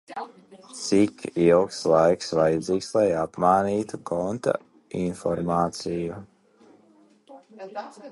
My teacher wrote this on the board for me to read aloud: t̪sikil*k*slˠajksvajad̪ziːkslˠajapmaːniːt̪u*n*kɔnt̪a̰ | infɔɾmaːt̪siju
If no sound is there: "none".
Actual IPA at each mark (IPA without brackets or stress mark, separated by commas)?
k, none